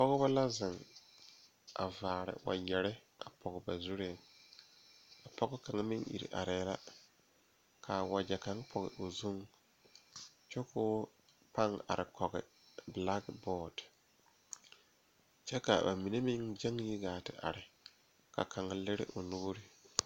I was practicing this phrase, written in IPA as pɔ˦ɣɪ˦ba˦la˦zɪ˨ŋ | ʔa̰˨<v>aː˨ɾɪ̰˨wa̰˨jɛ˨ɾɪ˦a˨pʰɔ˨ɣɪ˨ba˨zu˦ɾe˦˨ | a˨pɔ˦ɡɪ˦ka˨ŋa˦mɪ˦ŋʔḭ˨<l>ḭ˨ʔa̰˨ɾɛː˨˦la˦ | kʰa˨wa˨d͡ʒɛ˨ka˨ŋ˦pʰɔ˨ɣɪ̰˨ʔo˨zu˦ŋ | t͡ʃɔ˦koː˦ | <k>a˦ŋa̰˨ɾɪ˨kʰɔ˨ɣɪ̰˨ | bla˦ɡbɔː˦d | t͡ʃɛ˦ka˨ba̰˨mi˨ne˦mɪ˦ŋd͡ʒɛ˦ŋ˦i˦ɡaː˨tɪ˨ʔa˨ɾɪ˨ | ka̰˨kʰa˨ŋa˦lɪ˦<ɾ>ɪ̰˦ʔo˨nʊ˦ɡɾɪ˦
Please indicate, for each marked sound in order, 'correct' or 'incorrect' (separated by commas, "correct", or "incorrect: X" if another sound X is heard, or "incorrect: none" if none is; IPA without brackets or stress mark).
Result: correct, incorrect: ɾ, incorrect: p, correct